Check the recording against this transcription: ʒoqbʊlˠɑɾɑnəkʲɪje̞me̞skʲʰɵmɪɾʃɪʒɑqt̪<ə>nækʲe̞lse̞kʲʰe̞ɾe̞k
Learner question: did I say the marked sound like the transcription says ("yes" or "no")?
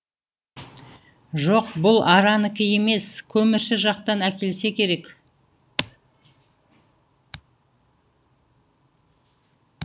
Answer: no